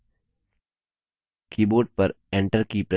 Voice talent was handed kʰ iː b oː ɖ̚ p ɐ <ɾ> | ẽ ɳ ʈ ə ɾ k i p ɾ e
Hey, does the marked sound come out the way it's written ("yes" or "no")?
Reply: yes